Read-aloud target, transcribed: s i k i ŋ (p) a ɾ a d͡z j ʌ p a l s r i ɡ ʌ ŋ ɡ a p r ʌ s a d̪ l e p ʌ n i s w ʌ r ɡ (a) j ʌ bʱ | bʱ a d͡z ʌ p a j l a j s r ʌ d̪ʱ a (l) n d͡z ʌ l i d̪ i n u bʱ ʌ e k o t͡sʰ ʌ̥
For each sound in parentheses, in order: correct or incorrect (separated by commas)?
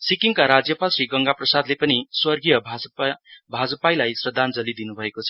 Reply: incorrect, incorrect, incorrect